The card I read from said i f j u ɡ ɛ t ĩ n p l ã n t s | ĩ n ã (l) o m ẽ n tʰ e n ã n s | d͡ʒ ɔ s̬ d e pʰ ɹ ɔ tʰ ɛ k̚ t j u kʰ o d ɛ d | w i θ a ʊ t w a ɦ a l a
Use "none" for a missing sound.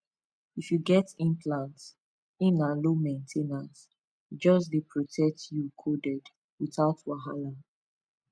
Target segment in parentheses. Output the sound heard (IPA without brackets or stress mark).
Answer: l